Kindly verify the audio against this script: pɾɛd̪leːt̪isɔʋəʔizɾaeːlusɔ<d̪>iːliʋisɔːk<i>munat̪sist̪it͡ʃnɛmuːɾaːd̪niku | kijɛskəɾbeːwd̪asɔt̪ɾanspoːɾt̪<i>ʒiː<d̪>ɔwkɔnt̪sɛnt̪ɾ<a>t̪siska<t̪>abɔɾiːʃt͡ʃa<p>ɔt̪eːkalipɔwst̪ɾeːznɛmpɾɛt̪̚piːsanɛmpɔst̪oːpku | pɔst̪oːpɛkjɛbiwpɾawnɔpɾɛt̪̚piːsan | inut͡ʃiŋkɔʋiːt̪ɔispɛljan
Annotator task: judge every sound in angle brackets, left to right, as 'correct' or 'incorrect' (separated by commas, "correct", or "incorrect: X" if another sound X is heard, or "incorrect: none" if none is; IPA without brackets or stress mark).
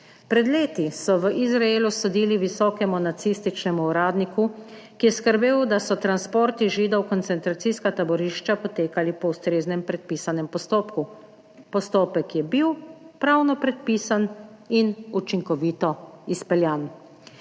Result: correct, incorrect: ɛ, correct, correct, correct, correct, correct